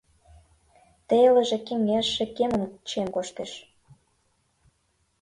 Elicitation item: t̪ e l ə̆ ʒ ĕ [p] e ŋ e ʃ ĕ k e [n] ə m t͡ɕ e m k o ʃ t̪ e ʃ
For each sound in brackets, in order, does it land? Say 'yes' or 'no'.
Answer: no, no

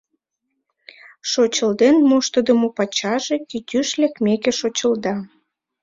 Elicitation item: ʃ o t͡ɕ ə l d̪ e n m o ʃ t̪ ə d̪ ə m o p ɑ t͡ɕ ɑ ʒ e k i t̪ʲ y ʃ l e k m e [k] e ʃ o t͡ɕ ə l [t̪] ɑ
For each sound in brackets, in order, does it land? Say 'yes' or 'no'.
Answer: yes, no

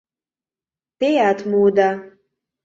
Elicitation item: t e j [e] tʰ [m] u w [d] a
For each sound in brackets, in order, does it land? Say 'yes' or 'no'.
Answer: no, yes, yes

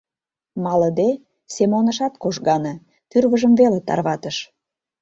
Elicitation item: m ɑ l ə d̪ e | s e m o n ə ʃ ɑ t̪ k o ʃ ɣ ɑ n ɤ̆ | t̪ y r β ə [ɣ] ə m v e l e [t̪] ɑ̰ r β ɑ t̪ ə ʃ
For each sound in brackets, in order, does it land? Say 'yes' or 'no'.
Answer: no, yes

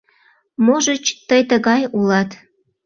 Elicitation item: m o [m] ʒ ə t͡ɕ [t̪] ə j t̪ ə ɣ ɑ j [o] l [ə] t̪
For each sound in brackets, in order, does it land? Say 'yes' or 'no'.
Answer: no, yes, no, no

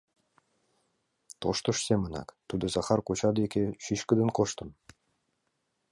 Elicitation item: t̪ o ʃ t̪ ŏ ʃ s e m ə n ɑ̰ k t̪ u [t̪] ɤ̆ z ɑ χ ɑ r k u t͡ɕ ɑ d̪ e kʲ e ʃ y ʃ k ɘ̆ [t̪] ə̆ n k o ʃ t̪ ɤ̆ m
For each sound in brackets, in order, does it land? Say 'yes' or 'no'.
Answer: no, no

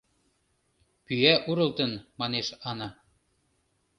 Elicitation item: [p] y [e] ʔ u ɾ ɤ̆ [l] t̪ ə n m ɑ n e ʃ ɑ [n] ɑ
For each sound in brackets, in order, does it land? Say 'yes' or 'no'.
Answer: yes, no, yes, yes

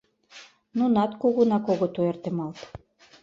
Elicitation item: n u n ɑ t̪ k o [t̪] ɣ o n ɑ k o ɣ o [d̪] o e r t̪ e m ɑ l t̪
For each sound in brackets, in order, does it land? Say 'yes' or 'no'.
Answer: no, no

